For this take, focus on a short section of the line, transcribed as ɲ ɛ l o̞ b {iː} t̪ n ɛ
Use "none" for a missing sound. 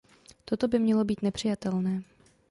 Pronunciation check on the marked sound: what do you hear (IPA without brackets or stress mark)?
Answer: iː